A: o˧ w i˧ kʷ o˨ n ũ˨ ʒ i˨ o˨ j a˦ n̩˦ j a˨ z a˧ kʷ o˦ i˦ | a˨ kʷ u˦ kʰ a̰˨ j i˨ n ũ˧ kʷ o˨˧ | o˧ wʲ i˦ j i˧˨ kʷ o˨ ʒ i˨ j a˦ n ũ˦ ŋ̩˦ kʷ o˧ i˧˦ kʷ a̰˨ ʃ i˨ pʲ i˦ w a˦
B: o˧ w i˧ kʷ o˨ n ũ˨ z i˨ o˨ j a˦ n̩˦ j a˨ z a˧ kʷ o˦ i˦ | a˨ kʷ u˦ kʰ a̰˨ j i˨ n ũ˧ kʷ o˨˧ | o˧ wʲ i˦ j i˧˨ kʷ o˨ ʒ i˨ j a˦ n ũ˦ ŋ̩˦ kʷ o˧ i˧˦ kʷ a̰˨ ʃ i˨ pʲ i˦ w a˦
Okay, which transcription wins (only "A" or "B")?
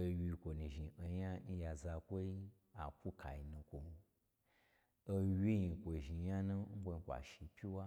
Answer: A